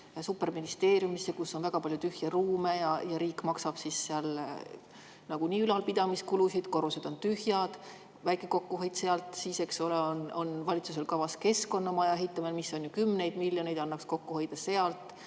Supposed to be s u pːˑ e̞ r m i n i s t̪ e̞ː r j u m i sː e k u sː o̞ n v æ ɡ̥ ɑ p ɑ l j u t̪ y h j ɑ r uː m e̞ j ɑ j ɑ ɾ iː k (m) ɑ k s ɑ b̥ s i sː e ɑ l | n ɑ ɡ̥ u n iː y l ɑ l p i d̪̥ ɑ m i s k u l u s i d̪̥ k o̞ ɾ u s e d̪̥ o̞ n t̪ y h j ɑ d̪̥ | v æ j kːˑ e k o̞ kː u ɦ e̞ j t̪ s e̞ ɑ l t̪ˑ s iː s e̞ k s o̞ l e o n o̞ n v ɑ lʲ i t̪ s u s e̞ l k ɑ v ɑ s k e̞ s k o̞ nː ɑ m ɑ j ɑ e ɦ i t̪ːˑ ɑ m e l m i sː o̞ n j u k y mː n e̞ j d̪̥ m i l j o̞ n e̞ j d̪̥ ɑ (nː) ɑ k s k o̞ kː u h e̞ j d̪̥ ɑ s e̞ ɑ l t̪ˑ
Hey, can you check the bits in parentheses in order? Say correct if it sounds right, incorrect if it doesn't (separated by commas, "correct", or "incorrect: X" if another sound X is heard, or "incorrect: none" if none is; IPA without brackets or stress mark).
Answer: correct, correct